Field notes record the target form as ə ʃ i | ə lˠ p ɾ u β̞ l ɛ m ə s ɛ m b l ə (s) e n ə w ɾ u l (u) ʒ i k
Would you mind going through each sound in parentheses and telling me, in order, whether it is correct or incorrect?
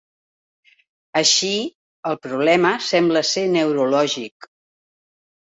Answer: correct, incorrect: ɔ

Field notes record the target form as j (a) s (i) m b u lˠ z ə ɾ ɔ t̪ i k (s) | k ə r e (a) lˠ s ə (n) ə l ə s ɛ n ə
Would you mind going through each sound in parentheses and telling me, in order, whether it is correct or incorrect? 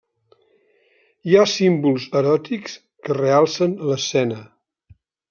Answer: correct, correct, correct, correct, correct

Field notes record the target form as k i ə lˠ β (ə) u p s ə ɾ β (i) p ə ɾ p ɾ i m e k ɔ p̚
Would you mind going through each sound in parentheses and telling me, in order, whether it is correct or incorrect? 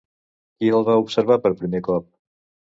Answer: incorrect: a, incorrect: a

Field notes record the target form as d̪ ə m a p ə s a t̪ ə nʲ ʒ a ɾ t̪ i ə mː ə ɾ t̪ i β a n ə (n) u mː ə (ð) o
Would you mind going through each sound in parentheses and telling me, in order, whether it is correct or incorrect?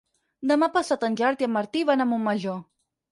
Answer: incorrect: m, incorrect: ʒ

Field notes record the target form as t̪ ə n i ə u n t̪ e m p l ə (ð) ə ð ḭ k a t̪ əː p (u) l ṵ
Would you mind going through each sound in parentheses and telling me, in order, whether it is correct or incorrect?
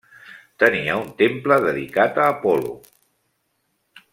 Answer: correct, incorrect: ɔ

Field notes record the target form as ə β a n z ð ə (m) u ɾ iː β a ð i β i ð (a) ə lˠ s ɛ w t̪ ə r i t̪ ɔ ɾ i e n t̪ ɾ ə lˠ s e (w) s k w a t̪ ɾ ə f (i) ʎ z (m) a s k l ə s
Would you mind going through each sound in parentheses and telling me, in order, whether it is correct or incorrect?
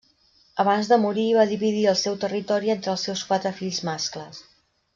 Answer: correct, incorrect: i, correct, correct, correct

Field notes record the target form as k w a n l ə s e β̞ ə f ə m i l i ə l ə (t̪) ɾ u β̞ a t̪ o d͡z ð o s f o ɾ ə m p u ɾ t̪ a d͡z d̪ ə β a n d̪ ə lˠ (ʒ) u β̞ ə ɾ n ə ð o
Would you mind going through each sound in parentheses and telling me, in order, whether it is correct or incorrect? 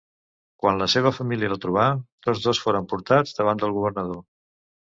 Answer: correct, incorrect: ɣ

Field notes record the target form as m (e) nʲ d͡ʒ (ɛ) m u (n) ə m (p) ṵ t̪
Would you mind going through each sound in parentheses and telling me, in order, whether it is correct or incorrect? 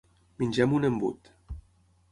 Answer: incorrect: i, correct, correct, incorrect: b

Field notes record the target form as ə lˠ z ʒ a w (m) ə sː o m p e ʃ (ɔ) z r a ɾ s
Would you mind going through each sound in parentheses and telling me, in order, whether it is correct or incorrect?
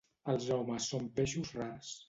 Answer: correct, incorrect: u

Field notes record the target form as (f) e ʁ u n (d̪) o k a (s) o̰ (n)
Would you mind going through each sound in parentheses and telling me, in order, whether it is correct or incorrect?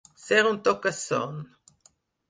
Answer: incorrect: s, incorrect: t̪, correct, correct

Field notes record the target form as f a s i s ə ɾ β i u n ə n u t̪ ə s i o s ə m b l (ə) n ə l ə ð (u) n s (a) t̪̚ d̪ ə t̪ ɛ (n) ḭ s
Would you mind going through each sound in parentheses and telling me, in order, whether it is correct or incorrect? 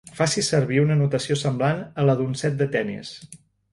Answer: incorrect: a, correct, incorrect: ɛ, correct

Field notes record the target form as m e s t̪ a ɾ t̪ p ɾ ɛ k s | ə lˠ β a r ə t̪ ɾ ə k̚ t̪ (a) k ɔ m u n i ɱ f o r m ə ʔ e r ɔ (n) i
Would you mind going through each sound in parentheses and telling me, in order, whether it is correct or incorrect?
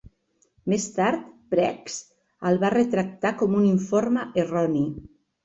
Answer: correct, correct

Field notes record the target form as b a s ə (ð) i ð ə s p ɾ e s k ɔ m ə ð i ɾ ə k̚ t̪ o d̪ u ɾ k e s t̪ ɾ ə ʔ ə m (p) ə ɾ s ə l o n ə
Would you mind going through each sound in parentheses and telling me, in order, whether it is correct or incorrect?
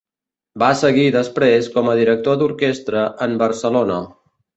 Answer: incorrect: ɣ, incorrect: b

